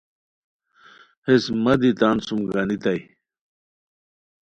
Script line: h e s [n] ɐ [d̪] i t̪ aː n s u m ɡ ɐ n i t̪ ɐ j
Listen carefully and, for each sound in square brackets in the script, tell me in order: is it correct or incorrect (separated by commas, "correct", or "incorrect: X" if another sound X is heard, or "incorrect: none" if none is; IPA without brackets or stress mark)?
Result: incorrect: m, correct